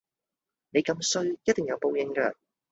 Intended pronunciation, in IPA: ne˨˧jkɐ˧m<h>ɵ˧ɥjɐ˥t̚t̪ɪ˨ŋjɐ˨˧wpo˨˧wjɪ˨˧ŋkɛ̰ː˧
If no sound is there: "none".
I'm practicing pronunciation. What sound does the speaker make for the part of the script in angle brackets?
s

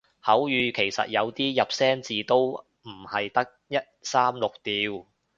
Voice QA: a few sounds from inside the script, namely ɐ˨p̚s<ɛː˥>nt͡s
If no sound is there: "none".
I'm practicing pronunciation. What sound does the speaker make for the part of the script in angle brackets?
ɛː˥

